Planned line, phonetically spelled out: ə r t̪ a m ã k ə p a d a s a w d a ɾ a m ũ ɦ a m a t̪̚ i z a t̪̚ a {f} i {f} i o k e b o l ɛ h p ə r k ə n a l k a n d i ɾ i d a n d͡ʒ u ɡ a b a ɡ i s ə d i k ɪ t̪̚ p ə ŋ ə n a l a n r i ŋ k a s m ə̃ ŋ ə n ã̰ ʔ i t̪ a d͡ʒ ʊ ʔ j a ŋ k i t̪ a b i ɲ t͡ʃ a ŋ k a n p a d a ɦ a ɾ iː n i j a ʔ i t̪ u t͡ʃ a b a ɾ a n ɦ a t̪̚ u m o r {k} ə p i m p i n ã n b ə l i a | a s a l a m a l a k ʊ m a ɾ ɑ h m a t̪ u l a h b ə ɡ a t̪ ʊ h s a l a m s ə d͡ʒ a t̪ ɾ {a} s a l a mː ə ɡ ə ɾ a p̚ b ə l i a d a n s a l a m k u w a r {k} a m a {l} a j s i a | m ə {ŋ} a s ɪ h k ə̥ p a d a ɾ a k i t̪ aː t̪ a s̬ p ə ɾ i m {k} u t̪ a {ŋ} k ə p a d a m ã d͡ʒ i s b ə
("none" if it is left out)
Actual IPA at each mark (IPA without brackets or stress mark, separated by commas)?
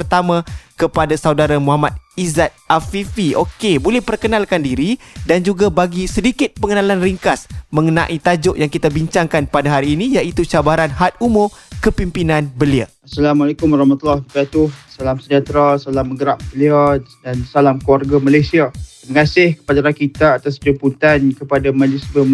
f, f, k, a, ɡ, l, ŋ, p, n